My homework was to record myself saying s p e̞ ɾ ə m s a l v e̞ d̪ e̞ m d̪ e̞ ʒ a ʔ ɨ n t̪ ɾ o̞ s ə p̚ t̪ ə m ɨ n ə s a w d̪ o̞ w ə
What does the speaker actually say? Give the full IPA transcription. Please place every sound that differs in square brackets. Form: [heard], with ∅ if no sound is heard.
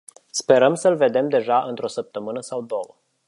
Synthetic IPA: s p e̞ ɾ ə m s [ə] l v e̞ d̪ e̞ m d̪ e̞ ʒ a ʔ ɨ n t̪ ɾ o̞ s ə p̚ t̪ ə m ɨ n ə s a w d̪ o̞ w ə